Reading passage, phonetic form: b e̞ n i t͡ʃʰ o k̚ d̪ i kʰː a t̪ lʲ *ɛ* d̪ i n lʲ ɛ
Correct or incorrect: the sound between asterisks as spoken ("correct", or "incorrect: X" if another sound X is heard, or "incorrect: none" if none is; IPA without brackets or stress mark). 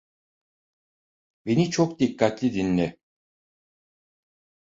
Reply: incorrect: i